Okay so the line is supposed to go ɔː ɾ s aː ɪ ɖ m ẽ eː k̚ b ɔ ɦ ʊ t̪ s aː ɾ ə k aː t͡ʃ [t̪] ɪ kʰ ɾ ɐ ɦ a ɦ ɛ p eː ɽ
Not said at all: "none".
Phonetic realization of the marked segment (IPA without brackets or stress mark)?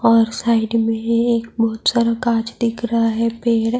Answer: d̪